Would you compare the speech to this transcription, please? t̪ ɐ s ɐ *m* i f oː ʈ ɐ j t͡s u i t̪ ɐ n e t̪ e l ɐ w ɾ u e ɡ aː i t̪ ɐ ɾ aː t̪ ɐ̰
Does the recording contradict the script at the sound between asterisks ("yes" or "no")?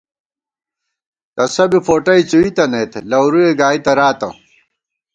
yes